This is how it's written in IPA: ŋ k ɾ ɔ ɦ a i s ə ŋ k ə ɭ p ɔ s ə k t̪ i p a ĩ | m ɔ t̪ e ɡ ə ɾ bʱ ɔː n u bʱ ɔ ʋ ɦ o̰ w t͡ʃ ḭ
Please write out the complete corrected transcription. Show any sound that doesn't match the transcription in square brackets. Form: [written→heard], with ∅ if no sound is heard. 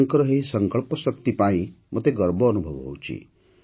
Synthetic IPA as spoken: ŋ k ɾ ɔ ɦ [a→e] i s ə ŋ k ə ɭ p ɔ s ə k t̪ i p a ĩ | m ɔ t̪ e ɡ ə ɾ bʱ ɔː n u bʱ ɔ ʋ ɦ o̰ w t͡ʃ ḭ